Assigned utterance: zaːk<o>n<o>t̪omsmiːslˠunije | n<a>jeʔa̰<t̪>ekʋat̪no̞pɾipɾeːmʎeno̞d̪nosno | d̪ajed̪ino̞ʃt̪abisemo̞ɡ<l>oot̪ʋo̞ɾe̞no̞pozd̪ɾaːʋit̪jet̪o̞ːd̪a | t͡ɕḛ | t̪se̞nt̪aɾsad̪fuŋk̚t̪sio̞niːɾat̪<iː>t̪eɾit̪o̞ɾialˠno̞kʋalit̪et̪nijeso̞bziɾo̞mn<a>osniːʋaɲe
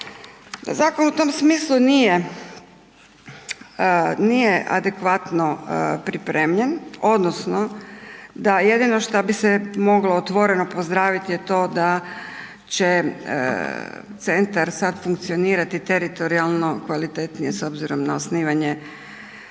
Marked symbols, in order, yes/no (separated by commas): yes, no, no, no, yes, no, yes